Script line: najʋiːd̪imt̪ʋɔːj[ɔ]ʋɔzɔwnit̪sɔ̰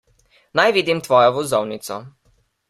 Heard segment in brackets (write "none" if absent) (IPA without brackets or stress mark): ɔ